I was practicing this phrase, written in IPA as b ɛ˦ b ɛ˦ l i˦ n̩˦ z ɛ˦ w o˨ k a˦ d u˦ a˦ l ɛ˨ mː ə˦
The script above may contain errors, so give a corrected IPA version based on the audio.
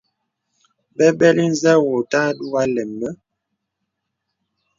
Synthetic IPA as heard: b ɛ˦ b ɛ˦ l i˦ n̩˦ z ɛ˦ w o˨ t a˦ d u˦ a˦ l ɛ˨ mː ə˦